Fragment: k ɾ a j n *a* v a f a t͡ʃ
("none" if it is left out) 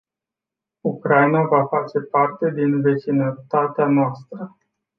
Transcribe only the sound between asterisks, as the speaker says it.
a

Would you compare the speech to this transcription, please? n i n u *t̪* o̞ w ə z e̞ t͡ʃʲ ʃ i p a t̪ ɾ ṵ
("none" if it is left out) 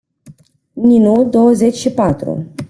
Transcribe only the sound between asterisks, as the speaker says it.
d̪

